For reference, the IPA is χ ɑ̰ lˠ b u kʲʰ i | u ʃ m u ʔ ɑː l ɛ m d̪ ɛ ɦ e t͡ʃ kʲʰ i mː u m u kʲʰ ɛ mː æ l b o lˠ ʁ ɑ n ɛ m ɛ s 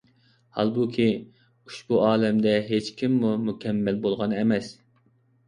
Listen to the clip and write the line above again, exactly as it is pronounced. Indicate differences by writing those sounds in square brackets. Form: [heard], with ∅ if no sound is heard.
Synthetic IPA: [h] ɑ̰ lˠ b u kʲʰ i | u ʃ [b] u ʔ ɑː l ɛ m d̪ ɛ ɦ e t͡ʃ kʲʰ i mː u m u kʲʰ ɛ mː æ l b o lˠ ʁ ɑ n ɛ m ɛ s